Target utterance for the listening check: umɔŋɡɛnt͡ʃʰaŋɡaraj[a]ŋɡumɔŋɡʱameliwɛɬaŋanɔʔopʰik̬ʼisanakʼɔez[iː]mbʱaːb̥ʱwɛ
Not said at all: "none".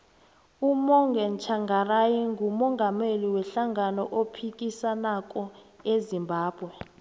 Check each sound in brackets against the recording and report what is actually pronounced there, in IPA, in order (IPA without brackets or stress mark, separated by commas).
i, i